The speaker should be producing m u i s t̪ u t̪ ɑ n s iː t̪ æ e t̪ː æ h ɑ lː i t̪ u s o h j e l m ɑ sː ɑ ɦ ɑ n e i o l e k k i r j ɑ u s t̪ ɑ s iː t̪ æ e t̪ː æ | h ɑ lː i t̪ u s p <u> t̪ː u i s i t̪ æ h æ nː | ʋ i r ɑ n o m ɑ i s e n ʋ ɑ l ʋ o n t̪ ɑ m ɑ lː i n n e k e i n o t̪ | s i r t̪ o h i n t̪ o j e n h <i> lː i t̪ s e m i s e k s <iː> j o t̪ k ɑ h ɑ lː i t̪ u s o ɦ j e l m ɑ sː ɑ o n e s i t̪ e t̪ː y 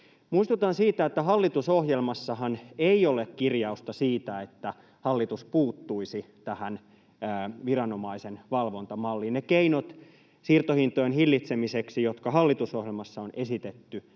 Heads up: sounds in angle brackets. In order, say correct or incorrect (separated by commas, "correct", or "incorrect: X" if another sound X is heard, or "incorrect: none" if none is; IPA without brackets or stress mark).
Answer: incorrect: uː, correct, incorrect: i